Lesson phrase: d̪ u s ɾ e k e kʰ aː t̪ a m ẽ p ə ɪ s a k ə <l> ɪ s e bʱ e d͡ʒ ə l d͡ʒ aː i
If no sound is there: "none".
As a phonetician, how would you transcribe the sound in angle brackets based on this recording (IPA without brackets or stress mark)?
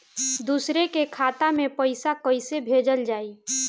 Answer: none